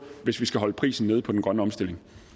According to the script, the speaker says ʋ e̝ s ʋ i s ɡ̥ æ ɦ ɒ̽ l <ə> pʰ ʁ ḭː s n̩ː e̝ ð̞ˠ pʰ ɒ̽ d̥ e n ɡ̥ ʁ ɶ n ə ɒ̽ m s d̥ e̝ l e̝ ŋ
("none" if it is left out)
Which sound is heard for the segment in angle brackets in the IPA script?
ə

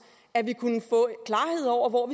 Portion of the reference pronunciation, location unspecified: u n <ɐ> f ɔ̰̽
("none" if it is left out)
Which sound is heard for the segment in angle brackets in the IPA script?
ə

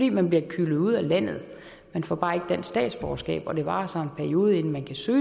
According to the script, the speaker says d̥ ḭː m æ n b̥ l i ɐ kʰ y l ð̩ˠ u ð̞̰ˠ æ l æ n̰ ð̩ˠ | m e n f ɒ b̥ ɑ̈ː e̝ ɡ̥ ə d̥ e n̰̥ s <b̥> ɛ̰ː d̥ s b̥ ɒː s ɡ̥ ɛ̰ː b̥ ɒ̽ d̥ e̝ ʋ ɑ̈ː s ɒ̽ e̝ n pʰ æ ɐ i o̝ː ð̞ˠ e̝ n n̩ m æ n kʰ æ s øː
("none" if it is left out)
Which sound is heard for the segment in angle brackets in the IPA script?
d̥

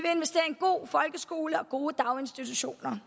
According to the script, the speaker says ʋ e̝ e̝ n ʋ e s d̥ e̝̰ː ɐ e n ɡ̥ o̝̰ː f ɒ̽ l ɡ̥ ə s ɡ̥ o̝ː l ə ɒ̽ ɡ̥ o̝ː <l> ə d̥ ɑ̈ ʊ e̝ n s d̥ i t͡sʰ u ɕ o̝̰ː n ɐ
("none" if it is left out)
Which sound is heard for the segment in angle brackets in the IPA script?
none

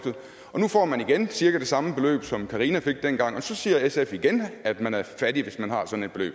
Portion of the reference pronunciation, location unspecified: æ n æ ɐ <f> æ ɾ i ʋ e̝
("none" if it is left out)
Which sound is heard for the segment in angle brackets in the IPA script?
f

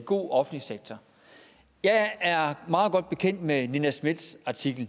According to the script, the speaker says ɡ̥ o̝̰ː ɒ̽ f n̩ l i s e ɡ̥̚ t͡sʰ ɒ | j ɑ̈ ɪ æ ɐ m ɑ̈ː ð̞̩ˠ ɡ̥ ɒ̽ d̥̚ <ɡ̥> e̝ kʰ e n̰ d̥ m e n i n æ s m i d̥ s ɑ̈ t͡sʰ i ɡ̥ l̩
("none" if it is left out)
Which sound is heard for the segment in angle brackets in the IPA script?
b̥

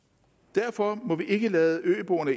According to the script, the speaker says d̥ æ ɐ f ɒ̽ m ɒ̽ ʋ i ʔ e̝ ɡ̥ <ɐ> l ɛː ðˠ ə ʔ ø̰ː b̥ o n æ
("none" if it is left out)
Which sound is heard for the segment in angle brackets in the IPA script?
ə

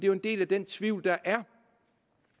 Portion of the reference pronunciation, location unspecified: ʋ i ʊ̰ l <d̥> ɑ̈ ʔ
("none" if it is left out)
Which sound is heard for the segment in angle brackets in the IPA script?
d̥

